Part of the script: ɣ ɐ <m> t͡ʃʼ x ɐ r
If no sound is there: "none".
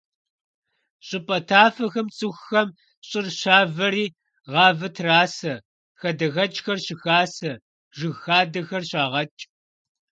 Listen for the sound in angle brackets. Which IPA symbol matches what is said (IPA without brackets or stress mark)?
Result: none